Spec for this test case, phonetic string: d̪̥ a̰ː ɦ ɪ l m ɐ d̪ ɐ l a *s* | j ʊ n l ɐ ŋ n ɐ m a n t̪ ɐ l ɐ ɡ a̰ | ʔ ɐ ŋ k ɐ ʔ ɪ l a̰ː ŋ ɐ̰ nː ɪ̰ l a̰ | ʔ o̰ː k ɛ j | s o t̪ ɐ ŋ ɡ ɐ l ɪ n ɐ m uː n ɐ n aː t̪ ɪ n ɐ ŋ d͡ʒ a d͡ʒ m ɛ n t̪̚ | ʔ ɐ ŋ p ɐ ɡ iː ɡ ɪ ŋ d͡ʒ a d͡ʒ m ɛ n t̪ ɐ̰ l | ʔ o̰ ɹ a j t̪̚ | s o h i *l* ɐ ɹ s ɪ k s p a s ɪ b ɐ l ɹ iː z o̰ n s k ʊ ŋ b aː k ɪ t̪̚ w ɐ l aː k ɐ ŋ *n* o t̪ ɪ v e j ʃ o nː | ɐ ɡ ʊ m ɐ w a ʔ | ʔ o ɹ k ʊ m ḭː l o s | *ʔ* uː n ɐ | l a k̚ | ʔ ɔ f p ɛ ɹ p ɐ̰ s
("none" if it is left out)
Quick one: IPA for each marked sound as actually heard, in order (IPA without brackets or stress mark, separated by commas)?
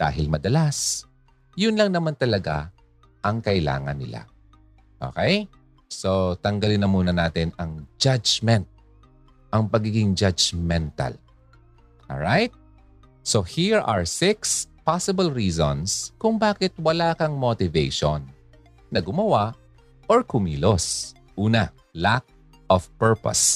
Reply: s, ɹ, m, ʔ